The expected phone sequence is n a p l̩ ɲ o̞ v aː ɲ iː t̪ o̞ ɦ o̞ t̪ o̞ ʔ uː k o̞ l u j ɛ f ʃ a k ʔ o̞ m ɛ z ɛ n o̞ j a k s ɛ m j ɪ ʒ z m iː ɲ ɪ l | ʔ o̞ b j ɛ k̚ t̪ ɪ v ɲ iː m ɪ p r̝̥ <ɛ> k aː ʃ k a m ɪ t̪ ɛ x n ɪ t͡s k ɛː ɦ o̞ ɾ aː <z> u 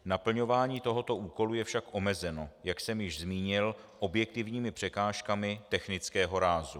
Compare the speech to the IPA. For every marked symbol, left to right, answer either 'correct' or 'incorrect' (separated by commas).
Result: correct, correct